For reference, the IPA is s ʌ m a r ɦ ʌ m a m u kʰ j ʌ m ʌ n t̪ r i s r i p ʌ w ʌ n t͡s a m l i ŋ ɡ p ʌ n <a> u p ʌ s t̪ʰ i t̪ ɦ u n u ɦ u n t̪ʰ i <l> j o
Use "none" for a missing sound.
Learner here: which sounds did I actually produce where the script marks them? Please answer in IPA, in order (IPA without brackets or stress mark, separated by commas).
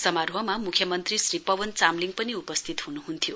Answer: i, none